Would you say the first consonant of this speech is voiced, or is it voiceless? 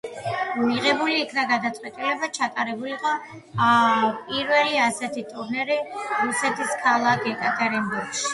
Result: voiced